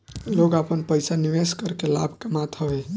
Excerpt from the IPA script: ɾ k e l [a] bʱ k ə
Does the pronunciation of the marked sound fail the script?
no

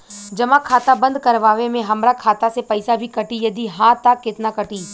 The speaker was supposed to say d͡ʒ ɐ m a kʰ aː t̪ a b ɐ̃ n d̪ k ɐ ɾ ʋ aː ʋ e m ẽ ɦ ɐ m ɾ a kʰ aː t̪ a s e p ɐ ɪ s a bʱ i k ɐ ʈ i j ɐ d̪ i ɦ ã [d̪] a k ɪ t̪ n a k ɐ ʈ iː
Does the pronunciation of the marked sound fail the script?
yes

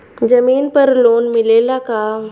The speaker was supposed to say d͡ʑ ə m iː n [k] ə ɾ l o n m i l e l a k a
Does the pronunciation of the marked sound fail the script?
yes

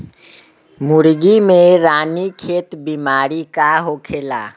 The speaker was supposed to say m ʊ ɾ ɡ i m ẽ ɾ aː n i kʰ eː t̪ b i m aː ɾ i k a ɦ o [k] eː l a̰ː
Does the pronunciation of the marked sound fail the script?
yes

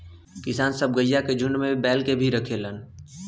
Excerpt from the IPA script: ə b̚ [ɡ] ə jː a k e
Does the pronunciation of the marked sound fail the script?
no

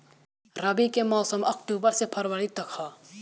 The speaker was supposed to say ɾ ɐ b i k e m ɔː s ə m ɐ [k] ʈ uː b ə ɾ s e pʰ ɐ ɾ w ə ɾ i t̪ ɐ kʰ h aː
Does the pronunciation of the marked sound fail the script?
no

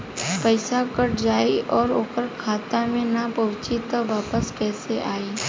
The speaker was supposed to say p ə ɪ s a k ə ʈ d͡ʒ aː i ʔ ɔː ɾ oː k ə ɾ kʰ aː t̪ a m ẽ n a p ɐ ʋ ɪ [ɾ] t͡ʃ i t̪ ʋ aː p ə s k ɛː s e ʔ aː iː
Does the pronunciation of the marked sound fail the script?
yes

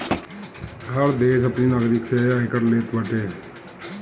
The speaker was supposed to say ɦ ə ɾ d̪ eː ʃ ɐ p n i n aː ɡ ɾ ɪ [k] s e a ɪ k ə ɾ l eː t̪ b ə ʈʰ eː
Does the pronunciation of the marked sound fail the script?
no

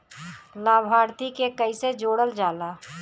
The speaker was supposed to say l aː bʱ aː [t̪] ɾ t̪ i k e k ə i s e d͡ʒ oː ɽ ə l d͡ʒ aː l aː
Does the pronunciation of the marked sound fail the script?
yes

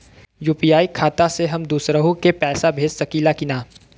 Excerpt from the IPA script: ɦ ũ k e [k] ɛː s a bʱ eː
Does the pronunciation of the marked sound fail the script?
yes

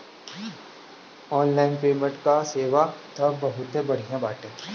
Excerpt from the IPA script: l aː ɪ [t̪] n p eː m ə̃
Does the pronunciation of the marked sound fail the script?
yes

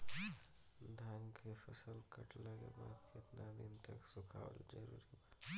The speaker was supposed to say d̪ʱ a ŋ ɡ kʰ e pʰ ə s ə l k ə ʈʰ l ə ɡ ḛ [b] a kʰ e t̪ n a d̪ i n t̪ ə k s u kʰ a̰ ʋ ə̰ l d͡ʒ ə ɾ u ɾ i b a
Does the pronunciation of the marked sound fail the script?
no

